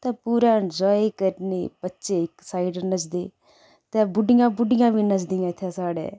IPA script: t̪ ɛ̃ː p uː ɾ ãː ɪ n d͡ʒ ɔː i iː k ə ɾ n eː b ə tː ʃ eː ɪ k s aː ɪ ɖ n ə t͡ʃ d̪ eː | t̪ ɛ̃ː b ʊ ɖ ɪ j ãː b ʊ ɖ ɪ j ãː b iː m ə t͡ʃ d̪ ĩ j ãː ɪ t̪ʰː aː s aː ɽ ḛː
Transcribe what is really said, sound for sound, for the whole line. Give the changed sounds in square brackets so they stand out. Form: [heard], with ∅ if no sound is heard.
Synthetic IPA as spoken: t̪ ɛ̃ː p uː ɾ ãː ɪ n d͡ʒ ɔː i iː k ə ɾ n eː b ə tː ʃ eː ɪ k s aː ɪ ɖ n ə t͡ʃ d̪ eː | t̪ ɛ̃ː b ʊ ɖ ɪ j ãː b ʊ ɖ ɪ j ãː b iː [n] ə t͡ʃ d̪ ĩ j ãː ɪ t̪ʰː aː s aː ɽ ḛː